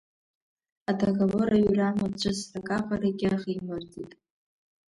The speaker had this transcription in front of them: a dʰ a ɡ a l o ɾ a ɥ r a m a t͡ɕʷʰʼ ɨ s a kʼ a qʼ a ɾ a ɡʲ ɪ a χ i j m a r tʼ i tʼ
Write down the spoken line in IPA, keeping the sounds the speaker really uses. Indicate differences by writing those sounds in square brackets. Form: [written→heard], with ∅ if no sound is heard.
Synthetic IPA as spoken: a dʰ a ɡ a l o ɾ a ɥ r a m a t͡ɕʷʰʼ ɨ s a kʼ a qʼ a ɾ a ɡʲ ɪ a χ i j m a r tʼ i tʼ